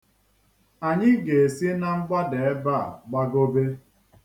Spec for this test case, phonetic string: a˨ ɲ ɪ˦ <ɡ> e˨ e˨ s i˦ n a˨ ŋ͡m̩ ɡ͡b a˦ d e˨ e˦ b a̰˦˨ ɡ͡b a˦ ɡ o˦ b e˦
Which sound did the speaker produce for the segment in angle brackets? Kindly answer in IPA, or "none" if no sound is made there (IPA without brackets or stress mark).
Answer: ɡ